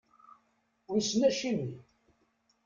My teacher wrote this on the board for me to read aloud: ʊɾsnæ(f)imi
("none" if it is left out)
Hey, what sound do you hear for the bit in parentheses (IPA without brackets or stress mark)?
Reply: ʃ